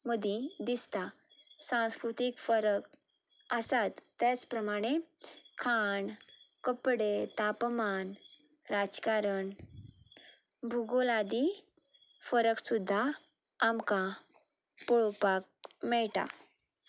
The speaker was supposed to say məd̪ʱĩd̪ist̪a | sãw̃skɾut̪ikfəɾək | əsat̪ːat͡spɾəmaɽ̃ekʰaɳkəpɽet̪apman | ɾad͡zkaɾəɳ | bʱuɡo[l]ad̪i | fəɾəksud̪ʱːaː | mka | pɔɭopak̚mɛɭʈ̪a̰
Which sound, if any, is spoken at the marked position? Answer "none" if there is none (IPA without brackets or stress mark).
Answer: l